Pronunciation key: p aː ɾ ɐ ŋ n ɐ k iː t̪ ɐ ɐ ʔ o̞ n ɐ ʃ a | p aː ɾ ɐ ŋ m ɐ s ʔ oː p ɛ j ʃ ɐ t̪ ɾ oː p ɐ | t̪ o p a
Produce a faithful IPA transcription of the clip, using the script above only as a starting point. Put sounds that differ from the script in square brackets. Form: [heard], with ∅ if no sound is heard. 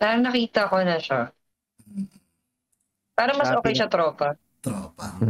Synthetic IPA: p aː ɾ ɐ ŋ n ɐ k iː t̪ ɐ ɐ [k] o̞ n ɐ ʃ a | p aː ɾ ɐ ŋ m ɐ s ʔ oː [k] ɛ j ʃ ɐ t̪ ɾ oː p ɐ | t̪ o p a